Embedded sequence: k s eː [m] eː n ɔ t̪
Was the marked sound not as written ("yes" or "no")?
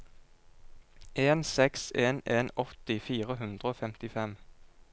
yes